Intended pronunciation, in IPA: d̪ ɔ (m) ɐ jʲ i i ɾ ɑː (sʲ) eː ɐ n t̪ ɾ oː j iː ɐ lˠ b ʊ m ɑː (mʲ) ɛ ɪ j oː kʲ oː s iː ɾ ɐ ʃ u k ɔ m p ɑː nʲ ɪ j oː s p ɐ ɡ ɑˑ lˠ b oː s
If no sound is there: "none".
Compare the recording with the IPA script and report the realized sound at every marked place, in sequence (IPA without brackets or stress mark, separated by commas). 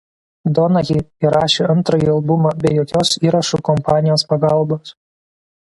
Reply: n, ʃʲ, bʲ